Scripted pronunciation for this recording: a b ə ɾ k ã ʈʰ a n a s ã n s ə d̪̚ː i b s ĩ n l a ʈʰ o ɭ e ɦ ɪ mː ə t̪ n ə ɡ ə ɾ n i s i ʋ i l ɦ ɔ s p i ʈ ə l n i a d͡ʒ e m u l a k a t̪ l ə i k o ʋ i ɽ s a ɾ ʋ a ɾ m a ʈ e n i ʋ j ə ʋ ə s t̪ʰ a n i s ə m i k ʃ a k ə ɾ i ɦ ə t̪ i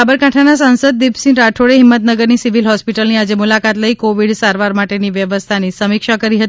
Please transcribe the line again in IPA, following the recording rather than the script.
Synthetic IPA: a b ə ɾ k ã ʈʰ a n a s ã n s ə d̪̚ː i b s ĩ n ɾ a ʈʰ o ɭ e ɦ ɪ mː ə t̪ n ə ɡ ə ɾ n i s i ʋ i l ɦ ɔ s p i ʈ ə l n i a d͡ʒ e m u l a k a t̪ l ə i k o ʋ i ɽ s a ɾ ʋ a ɾ m a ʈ e n i ʋ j ə ʋ ə s t̪ʰ a n i s ə m i k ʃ a k ə ɾ i ɦ ə t̪ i